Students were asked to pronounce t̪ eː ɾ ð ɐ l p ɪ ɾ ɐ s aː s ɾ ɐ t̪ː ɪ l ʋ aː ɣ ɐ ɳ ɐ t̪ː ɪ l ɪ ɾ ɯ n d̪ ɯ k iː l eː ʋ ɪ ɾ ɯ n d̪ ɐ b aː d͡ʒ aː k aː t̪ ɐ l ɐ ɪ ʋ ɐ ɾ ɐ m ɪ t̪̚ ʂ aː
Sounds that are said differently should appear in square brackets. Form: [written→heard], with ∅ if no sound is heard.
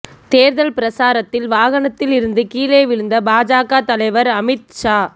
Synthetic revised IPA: t̪ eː ɾ ð ɐ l p ɪ ɾ ɐ s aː [s→∅] ɾ ɐ t̪ː ɪ l ʋ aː ɣ ɐ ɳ ɐ t̪ː ɪ l ɪ ɾ ɯ n d̪ ɯ k iː l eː ʋ ɪ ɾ ɯ n d̪ ɐ b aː d͡ʒ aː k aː t̪ ɐ l ɐ ɪ ʋ ɐ ɾ ɐ m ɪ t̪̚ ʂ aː